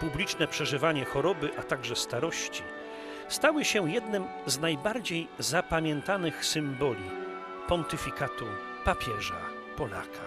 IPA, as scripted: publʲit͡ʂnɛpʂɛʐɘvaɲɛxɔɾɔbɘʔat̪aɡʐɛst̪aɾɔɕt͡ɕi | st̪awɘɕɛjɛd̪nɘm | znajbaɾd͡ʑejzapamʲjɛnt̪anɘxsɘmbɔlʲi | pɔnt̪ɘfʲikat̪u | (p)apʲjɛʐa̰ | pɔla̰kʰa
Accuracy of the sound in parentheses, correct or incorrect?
correct